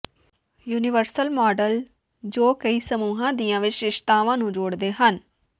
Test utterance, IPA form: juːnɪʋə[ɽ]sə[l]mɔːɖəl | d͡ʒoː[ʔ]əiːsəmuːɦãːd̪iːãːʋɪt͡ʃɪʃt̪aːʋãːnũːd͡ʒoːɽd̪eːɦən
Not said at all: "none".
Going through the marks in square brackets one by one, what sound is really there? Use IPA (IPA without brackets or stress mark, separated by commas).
ɾ, l, k